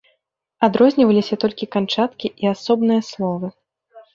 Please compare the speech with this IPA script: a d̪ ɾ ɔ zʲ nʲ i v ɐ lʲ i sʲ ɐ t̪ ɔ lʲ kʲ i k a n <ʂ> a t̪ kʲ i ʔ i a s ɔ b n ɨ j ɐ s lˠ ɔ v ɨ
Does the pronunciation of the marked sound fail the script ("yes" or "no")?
yes